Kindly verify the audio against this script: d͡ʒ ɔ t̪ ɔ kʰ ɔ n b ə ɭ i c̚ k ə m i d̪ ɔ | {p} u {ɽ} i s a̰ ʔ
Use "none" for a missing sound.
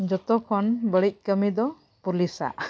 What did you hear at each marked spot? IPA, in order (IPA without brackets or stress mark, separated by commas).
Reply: p, l